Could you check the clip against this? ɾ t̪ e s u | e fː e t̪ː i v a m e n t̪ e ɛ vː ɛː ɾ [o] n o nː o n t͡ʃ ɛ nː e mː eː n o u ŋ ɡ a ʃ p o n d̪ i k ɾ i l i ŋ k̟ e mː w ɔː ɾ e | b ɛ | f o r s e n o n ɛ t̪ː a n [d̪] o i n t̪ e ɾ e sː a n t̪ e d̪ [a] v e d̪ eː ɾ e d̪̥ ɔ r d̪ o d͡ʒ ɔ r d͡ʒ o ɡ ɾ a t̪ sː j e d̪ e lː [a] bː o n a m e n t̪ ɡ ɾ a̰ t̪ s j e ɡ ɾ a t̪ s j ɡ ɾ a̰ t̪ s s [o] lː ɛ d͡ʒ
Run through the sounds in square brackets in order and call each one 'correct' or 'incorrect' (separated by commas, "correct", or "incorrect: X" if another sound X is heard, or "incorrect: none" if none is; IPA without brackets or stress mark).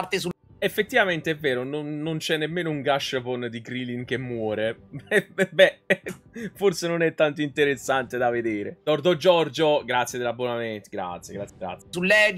correct, incorrect: t̪, correct, correct, incorrect: u